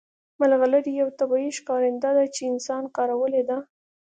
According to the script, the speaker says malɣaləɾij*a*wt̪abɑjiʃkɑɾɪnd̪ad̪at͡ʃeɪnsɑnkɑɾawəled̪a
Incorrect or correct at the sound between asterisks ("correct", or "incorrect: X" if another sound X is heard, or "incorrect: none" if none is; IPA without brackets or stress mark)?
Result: correct